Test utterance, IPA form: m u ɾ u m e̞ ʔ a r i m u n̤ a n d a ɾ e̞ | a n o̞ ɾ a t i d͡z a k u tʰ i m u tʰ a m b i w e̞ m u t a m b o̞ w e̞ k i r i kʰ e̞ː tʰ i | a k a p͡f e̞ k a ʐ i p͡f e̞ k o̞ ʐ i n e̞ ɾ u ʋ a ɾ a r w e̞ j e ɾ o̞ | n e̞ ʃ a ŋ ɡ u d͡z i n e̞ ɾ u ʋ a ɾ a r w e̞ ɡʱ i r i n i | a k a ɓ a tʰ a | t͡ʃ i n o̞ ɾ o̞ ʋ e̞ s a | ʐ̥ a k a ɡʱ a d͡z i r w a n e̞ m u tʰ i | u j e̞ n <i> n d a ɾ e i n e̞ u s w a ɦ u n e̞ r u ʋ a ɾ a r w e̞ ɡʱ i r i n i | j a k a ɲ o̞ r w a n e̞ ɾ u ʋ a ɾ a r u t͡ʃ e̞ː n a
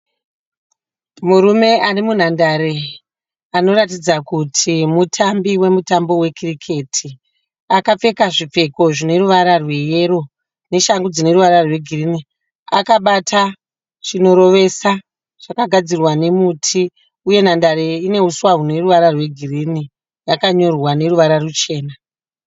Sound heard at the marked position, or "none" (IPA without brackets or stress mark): a